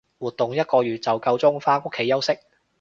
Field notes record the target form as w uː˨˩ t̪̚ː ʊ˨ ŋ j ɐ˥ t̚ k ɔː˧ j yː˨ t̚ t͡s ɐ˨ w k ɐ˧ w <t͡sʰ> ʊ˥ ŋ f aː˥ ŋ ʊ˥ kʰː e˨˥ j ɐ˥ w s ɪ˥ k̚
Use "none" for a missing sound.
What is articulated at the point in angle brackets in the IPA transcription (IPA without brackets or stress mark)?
t͡s